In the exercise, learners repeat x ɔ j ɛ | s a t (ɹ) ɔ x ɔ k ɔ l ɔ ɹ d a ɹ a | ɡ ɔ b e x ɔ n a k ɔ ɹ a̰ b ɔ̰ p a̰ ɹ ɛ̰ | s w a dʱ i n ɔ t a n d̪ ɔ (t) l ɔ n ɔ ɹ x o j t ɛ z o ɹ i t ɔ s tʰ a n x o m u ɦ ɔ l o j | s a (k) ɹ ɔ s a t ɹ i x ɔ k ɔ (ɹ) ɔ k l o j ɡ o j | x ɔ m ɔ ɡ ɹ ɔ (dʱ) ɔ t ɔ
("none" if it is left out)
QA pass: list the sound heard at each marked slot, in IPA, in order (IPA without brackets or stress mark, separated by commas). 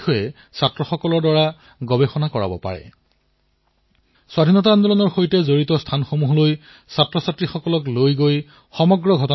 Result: ɹ, none, t, l, ɡʱ